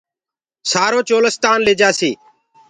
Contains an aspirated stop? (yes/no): no